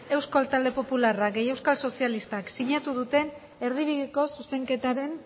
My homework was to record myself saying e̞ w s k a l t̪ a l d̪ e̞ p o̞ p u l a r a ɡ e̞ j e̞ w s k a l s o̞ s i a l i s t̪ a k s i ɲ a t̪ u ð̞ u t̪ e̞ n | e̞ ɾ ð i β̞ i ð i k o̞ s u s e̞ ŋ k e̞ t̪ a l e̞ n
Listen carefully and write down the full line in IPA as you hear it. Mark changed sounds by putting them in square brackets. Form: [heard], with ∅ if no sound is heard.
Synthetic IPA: e̞ w s k a l t̪ a l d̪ e̞ p o̞ p u l a r a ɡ e̞ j e̞ w s k a l s o̞ s i a l i s t̪ a k s i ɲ a t̪ u ð̞ u t̪ e̞ n | e̞ ɾ ð i β̞ i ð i k o̞ s u s e̞ ŋ k e̞ t̪ a [ɾ] e̞ n